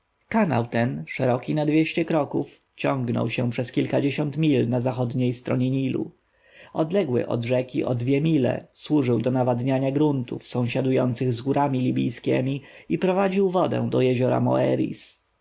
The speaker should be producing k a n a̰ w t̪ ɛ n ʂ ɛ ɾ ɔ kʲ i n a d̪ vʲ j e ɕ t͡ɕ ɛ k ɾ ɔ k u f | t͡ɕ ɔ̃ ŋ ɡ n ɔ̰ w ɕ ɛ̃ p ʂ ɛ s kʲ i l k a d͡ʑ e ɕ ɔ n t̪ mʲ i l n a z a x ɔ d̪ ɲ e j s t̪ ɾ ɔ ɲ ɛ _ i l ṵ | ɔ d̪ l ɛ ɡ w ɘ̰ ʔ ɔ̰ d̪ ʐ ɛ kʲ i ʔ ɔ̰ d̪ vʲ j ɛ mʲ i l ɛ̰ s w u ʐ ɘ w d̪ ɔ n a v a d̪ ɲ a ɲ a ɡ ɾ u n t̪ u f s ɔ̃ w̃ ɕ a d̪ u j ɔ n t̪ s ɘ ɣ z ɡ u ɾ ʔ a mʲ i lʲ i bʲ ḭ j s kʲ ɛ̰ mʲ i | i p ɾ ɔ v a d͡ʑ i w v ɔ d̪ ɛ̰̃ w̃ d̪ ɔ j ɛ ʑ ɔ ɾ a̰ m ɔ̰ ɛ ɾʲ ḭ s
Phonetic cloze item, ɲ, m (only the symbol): ɲ